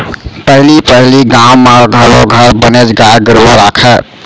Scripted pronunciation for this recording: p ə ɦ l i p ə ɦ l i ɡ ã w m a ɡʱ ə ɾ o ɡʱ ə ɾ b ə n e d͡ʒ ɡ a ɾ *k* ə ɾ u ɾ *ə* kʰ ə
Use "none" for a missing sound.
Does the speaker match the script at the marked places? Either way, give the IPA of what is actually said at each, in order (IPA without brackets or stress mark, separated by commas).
ɡ, a